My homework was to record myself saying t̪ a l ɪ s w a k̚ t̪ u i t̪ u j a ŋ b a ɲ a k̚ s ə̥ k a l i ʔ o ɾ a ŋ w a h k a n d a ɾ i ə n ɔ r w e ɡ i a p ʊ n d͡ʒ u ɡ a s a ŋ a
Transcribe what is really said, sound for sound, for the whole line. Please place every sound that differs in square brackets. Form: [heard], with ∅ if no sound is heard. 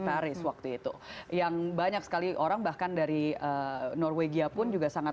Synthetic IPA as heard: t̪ a [ɾ] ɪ s w a k̚ t̪ u i t̪ u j a ŋ b a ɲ a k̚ s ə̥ k a l i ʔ o ɾ a ŋ [b] a h k a n d a ɾ i ə n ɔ r w e ɡ i a p ʊ n d͡ʒ u ɡ a s a ŋ a